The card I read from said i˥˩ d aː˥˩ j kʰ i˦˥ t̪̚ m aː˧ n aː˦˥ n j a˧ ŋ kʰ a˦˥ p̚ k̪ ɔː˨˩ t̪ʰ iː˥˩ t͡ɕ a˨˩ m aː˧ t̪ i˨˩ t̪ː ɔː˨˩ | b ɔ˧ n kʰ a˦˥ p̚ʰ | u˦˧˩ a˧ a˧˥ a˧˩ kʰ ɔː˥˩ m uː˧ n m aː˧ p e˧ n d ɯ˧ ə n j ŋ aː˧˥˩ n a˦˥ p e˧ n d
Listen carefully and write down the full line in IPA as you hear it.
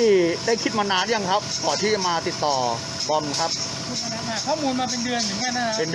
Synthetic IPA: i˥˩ d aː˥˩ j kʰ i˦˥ t̪̚ m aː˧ n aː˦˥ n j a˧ ŋ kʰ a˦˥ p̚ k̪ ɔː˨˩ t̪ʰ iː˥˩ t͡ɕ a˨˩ m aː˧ t̪ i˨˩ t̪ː ɔː˨˩ | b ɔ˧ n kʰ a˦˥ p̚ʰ | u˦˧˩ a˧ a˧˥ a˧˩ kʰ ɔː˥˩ m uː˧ n m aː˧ p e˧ n d ɯ˧ ə n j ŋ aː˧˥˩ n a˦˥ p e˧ n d